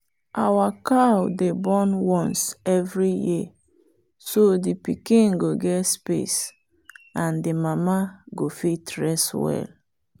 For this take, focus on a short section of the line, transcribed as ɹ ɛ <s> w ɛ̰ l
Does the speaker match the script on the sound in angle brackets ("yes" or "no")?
yes